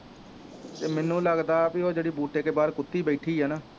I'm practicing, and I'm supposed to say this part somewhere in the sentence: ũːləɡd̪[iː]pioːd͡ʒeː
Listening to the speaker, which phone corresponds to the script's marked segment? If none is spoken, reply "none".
aː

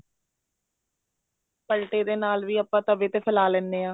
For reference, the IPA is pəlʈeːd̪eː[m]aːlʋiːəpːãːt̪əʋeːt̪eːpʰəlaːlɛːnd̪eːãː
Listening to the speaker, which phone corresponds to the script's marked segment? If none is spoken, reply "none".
n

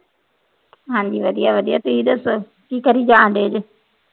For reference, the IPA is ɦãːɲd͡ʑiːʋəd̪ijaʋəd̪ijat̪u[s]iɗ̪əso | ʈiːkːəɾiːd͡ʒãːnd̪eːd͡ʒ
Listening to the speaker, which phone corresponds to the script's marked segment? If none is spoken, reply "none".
none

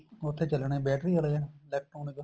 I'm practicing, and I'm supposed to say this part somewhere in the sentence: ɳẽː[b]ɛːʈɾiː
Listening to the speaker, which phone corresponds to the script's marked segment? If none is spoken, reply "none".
b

